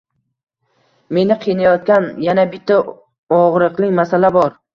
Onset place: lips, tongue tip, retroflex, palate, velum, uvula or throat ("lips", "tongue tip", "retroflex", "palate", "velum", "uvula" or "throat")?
lips